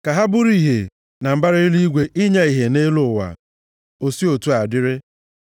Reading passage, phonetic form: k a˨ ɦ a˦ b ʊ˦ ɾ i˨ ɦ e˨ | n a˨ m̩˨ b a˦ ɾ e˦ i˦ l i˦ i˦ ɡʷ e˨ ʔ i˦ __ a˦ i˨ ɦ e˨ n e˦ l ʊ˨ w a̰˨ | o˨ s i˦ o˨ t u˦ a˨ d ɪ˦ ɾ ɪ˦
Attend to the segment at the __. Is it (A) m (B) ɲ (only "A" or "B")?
B